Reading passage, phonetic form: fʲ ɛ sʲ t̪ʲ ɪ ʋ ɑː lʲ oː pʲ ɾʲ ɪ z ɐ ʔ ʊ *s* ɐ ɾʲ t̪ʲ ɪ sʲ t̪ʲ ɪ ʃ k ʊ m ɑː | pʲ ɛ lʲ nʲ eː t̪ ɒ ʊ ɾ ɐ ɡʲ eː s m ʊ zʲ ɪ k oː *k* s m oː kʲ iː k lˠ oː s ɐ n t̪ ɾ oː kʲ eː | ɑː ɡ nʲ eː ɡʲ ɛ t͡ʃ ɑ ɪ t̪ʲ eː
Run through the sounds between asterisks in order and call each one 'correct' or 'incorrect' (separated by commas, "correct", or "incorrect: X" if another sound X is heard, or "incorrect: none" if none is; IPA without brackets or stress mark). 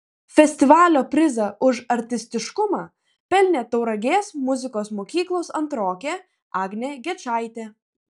incorrect: ʃ, incorrect: none